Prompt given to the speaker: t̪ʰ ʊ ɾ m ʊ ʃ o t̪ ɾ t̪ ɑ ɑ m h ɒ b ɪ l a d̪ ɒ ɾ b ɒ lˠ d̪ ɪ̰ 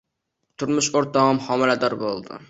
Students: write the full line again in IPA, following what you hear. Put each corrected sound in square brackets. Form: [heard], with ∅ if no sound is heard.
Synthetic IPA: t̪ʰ ʊ ɾ m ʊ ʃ o [∅] ɾ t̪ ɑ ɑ m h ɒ [m] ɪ l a d̪ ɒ ɾ b [o] lˠ d̪ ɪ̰